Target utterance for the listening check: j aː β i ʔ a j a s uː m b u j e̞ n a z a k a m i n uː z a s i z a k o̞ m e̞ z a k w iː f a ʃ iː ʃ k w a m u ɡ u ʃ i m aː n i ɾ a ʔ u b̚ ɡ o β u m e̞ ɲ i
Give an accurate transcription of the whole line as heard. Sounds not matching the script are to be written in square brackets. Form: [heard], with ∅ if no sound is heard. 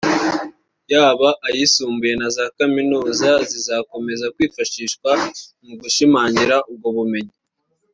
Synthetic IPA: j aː β [a] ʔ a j [i] s uː m b u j e̞ n a z a k a m i n uː z a [z] i z a k o̞ m e̞ z a k w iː f a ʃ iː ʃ k w a m u ɡ u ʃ i m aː [ɲ] i ɾ a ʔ u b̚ ɡ o β u m e̞ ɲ i